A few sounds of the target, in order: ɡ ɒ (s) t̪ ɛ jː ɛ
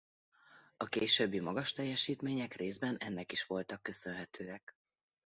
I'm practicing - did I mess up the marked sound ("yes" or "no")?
yes